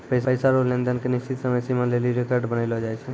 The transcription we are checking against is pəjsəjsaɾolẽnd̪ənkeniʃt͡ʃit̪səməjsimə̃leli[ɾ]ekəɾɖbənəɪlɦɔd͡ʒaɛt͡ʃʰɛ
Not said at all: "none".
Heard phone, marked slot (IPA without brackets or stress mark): ɾ